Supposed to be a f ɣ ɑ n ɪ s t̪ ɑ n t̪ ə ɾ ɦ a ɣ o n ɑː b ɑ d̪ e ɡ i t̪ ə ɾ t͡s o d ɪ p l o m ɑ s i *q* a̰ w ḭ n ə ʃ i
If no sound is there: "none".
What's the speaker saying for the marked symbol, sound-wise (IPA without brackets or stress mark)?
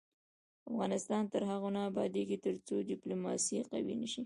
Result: q